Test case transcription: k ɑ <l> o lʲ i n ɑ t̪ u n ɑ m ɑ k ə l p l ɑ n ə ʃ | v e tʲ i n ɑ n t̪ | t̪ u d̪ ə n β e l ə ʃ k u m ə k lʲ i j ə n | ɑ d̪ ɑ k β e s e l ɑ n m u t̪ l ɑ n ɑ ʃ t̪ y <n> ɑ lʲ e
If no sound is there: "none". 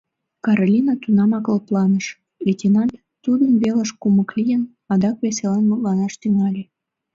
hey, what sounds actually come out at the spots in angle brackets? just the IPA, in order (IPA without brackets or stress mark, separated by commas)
ɾ, ŋ